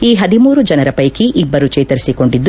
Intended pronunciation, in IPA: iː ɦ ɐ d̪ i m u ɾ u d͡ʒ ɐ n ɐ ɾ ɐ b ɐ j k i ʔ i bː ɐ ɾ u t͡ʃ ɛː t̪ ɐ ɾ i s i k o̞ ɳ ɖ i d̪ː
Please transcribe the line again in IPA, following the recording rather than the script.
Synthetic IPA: iː ɦ ɐ d̪ i m uː ɾ u d͡ʒ ɐ n ɐ ɾ ɐ p ɐ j k i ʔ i bː ɐ ɾ u t͡ʃ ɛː t̪ ɐ ɾ i s i k o̞ ɳ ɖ i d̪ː